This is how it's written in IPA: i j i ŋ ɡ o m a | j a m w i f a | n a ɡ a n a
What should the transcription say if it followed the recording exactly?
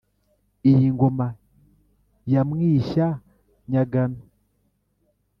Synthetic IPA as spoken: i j i ŋ ɡ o m a | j a m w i ʃ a | ɲ a ɡ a n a

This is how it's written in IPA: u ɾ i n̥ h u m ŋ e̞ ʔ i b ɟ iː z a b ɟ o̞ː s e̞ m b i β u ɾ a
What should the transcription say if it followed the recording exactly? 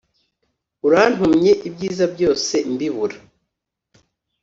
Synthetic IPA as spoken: u ɾ a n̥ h u m ɲ e̞ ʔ i b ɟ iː z a b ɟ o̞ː s e̞ m b i β u ɾ a

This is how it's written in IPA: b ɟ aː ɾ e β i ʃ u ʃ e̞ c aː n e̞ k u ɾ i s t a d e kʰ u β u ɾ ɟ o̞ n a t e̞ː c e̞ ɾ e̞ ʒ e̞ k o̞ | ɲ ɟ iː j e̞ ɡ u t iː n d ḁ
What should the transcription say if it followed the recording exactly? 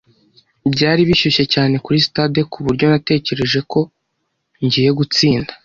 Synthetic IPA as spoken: b ɟ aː ɾ i β i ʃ u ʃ e̞ c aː n e̞ k u ɾ i s t a d e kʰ u β u ɾ ɟ o̞ n a t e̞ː c e̞ ɾ e̞ ʒ e̞ k o̞ | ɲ ɟ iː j e̞ ɡ u t͡s iː n d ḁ

